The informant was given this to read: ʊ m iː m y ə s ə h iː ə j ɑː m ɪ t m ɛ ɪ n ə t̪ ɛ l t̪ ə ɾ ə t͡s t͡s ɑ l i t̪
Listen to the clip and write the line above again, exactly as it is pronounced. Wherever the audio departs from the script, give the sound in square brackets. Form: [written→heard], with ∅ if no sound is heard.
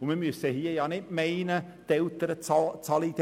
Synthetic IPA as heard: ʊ m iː m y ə s ə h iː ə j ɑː [m→n] ɪ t m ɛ ɪ n ə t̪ ɛ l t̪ ə ɾ ə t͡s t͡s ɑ l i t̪